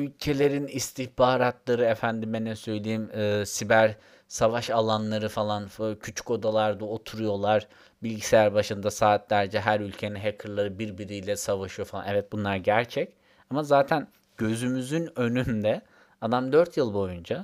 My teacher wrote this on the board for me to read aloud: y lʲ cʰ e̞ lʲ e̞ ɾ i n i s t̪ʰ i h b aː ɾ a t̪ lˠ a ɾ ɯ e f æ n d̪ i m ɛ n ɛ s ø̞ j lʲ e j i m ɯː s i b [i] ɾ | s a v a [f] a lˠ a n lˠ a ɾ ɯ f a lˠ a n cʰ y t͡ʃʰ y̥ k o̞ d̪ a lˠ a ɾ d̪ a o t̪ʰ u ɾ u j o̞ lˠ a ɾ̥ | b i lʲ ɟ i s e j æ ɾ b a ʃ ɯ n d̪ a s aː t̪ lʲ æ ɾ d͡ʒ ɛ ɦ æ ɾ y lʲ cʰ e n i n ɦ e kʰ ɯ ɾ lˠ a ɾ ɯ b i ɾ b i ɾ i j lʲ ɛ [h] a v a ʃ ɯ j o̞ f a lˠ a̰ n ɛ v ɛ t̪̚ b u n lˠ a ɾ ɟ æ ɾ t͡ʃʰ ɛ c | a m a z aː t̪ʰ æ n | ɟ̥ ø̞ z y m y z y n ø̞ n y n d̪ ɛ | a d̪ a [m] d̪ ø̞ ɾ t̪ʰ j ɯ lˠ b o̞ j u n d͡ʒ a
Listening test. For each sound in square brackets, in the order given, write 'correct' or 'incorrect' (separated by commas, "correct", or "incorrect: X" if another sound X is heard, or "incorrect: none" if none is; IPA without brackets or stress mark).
incorrect: æ, incorrect: ʃ, incorrect: s, correct